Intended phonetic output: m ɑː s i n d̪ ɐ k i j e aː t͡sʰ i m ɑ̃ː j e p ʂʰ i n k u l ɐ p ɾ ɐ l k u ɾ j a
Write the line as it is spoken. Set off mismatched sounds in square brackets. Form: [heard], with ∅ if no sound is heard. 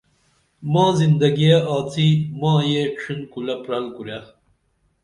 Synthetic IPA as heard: m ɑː [z] i n d̪ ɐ [ɡ] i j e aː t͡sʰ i m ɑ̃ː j e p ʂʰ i n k u l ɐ p ɾ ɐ l k u ɾ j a